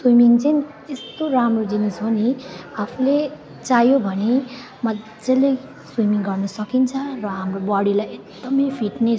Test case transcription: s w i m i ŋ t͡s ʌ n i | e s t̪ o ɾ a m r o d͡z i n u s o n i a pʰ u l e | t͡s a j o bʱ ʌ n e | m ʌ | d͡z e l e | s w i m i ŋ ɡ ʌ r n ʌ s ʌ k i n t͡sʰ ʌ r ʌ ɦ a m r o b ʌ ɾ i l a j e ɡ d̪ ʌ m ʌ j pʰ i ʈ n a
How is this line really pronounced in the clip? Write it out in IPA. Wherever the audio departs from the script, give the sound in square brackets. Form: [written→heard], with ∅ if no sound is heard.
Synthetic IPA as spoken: s w i m i ŋ t͡s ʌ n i | e s t̪ o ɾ a m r o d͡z i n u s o n i a pʰ u l e | t͡s a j o bʱ ʌ n e | m ʌ | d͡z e l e | s w i m i ŋ ɡ ʌ r n ʌ s ʌ k i n t͡sʰ ʌ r ʌ ɦ a m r o b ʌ [ɾ→ɽ] i l a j e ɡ d̪ ʌ m ʌ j pʰ i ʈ n [a→e]